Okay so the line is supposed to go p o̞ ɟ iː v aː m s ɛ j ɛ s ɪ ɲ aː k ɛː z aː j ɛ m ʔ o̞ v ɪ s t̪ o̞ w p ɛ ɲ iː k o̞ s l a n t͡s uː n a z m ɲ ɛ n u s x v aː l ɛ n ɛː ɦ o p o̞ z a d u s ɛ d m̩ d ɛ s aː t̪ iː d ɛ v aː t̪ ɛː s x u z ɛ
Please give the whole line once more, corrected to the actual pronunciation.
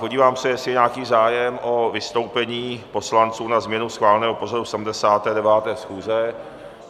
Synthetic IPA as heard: p o̞ ɟ iː v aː m s ɛ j ɛ s ɪ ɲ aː k iː z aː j ɛ m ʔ o̞ v ɪ s t̪ o̞ w p ɛ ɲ iː p o̞ s l a n t͡s uː n a z m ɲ ɛ n u s x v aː l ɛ n ɛː ɦ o p o̞ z a d u s ɛ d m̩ d ɛ s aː t̪ ɛː d ɛ v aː t̪ ɛː s x uː z ɛ